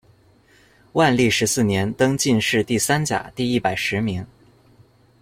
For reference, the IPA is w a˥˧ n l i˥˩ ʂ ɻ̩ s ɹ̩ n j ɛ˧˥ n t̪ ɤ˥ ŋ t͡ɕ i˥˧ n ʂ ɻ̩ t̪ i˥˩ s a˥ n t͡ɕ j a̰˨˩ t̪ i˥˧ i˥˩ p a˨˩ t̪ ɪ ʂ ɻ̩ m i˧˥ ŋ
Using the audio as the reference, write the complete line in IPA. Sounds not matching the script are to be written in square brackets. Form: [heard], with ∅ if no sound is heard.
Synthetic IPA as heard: w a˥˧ n l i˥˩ ʂ ɻ̩ s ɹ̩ n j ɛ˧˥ n t̪ ɤ˥ ŋ t͡ɕ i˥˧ n ʂ ɻ̩ t̪ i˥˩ s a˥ n t͡ɕ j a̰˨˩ t̪ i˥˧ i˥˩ p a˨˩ [∅] ɪ ʂ ɻ̩ m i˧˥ ŋ